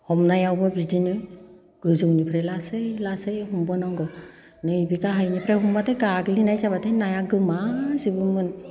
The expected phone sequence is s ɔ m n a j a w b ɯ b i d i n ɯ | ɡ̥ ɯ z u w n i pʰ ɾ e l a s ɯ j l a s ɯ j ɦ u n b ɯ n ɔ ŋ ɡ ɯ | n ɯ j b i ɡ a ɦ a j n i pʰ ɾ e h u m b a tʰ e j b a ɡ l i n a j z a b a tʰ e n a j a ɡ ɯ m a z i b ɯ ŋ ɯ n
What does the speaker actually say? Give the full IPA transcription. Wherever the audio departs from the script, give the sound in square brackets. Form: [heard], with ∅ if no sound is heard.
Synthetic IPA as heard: [h] ɔ m n a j a w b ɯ b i d i n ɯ | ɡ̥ ɯ z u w n i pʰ ɾ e l a s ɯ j l a s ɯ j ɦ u [m] b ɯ n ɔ ŋ ɡ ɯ | n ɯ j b i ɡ a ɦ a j n i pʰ ɾ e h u m b a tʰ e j [ɡ] a ɡ l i n a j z a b a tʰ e n a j a ɡ ɯ m a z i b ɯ [m] ɯ n

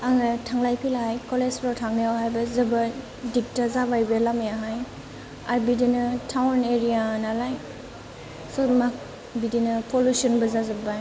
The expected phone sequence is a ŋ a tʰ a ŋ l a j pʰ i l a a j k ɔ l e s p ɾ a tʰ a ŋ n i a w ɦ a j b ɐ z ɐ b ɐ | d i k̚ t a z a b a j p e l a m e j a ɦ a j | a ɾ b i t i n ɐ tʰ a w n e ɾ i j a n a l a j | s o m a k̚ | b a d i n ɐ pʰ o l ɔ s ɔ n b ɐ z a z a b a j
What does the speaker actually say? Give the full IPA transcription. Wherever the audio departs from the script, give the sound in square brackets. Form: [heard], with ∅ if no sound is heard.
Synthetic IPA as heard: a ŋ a tʰ a ŋ l a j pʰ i l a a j k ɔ l e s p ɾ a tʰ a ŋ n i a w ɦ a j b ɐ z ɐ b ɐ | d i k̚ t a z a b a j [b] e l a m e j a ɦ a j | a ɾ b i [d] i n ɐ tʰ a w n e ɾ i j a n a l a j | s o m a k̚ | b [i] d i n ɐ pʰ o l [u] s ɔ n b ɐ z a z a b a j

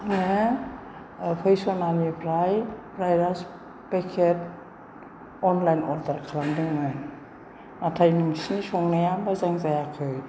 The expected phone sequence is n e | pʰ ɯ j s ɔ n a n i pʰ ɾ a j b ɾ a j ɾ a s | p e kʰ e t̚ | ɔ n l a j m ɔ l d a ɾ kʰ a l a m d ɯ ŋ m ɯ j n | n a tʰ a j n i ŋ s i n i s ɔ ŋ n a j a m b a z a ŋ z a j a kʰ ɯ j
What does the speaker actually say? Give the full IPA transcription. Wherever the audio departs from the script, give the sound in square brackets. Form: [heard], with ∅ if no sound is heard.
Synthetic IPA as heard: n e | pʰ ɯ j s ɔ n a n i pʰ ɾ a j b ɾ a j ɾ a s | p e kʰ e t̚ | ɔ n l a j [n] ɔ l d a ɾ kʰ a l a m d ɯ ŋ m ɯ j n | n a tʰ a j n i ŋ s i n i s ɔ ŋ n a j a m b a z a ŋ z a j a kʰ ɯ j

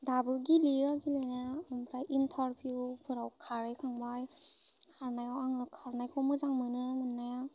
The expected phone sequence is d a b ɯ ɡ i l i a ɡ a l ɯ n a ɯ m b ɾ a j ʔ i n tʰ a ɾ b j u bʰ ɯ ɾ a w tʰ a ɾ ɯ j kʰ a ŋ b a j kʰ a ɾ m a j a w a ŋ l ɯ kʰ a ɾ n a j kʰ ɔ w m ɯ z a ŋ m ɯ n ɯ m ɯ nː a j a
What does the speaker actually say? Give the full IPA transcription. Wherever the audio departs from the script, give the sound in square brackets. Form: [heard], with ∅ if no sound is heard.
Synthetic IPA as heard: d a b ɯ ɡ i l i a ɡ [i] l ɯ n a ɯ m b ɾ a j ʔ i n tʰ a ɾ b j u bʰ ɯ ɾ a w [kʰ] a ɾ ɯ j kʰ a ŋ b a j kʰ a ɾ [n] a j a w a ŋ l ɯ kʰ a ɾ n a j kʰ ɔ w m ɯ z a ŋ m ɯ n ɯ m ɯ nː a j a

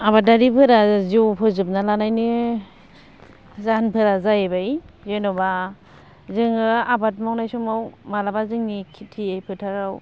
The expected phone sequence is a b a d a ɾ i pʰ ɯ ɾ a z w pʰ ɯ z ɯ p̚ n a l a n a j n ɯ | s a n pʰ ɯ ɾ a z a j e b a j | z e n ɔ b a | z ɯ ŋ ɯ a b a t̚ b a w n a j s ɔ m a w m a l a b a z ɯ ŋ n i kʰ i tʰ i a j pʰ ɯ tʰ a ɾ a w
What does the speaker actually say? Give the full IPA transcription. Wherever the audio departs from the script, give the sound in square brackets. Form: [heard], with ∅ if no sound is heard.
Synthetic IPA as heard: a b a d a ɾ i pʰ ɯ ɾ a z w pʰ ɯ z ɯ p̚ n a l a n a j n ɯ | [z] a n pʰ ɯ ɾ a z a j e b a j | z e n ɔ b a | z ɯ ŋ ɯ a b a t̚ [m] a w n a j s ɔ m a w m a l a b a z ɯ ŋ n i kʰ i tʰ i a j pʰ ɯ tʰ a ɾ a w

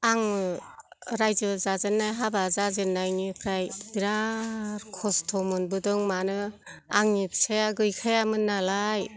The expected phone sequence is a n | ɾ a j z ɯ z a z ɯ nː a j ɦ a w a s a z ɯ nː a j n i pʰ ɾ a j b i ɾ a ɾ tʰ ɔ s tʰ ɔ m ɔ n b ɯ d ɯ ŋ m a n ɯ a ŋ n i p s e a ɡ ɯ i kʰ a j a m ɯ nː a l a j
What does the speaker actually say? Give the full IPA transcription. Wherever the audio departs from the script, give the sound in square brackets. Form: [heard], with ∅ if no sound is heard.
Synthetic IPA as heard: a [ŋ] | ɾ a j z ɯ z a z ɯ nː a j ɦ a [b] a [z] a z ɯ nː a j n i pʰ ɾ a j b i ɾ a ɾ [kʰ] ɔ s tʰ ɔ m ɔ n b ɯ d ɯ ŋ m a n ɯ a ŋ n i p s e a ɡ ɯ [j] kʰ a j a m ɯ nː a l a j

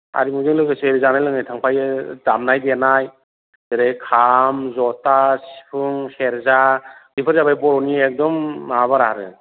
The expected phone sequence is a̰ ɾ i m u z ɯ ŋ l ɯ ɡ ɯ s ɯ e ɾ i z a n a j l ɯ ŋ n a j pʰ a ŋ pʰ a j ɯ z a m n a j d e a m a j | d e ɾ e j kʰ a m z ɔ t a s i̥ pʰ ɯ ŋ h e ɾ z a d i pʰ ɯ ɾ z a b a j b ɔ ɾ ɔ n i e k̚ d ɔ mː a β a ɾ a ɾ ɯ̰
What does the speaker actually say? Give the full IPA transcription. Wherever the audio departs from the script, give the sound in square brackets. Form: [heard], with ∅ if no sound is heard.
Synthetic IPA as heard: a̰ ɾ i m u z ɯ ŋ l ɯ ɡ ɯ s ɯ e ɾ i z a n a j l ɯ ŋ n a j [tʰ] a ŋ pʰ a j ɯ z a m n a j d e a [n] a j | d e ɾ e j kʰ a m z ɔ t a s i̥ pʰ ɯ ŋ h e ɾ z a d i pʰ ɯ ɾ z a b a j b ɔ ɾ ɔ n i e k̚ d ɔ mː a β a ɾ a ɾ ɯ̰

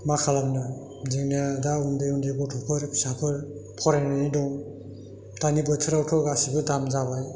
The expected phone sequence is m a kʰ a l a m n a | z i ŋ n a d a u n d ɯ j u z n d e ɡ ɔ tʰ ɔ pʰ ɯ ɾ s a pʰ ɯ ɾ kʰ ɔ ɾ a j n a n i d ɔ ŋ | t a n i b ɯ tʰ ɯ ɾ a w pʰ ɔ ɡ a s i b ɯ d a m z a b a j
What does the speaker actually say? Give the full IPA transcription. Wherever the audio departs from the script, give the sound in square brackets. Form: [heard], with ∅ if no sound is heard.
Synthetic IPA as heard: m a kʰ a l a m n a | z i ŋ n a d a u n d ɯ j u [∅] n d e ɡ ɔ tʰ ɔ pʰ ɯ ɾ s a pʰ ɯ ɾ [pʰ] ɔ ɾ a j n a n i d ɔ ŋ | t a n i b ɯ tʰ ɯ ɾ a w [tʰ] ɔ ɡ a s i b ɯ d a m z a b a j

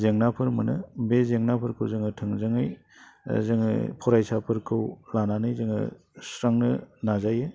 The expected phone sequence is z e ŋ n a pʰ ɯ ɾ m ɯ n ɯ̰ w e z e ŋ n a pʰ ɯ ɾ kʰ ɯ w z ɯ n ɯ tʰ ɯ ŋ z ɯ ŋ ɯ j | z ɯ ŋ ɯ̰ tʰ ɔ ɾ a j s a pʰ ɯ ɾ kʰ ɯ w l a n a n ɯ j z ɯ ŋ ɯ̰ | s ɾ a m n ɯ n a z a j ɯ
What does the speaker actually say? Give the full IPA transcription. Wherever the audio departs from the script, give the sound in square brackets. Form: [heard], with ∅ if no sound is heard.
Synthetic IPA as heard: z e ŋ n a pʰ ɯ ɾ m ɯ n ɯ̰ [b] e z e ŋ n a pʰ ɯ ɾ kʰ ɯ w z ɯ [ŋ] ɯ tʰ ɯ ŋ z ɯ ŋ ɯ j | z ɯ ŋ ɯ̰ [pʰ] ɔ ɾ a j s a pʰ ɯ ɾ kʰ ɯ w l a n a n ɯ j z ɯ ŋ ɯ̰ | s ɾ a [ŋ] n ɯ n a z a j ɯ

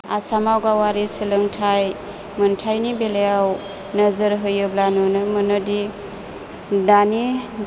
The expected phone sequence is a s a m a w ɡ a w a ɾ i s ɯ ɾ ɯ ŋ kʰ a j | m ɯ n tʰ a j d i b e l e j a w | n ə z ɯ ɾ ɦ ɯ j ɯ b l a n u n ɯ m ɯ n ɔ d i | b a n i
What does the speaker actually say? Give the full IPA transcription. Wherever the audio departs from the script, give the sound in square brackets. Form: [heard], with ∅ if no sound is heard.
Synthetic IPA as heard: a s a m a w ɡ a w a ɾ i s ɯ [l] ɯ ŋ [tʰ] a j | m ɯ n tʰ a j [n] i b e l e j a w | n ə z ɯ ɾ ɦ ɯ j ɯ b l a n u n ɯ m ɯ n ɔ d i | [d] a n i

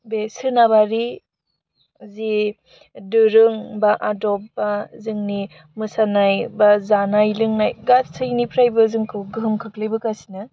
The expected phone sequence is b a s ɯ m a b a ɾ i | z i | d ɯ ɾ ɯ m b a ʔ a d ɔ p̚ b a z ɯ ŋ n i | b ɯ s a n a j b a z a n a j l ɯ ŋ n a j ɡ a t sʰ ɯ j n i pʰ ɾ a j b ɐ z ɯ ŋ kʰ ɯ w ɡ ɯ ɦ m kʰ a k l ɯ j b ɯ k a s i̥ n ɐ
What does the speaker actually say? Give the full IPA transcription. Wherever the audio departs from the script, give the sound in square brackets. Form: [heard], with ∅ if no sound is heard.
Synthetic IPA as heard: b [e] s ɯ [n] a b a ɾ i | z i | d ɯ ɾ ɯ [ŋ] b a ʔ a d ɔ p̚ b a z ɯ ŋ n i | [m] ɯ s a n a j b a z a n a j l ɯ ŋ n a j ɡ a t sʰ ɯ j n i pʰ ɾ a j b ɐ z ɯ ŋ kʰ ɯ w ɡ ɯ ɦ m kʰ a k l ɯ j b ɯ k a s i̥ n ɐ

